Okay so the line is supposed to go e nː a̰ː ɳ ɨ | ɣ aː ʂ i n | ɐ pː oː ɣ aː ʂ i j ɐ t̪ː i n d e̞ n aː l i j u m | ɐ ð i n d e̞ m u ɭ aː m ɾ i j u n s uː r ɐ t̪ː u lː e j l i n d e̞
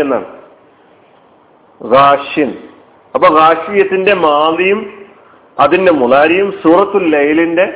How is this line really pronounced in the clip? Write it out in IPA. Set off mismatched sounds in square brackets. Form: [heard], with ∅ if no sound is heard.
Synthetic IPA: e nː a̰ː ɳ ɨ | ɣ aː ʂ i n | ɐ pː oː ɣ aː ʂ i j ɐ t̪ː i n d e̞ [m] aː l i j u m | ɐ ð i n d e̞ m u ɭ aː [∅] ɾ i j u [m] s uː r ɐ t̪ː u lː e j l i n d e̞